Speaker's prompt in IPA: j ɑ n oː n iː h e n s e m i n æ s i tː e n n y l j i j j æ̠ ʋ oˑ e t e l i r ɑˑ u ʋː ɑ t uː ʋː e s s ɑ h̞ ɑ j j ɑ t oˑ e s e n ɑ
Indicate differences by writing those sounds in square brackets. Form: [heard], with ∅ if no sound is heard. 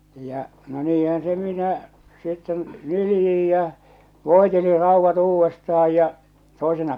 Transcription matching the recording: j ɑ n [o] n iː h [æ] n s e m i n æ s i tː e n n y l j i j j æ̠ ʋ oˑ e t e l i r ɑˑ u ʋː ɑ t uː ʋː e s [t] ɑ h̞ ɑ j j ɑ t oˑ e s e n ɑ